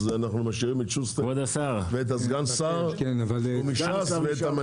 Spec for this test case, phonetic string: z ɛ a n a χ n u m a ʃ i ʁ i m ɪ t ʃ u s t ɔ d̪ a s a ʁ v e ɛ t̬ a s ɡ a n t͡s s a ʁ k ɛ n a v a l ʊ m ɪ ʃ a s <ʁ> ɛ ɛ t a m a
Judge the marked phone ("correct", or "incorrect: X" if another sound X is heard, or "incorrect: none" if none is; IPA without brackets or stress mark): incorrect: v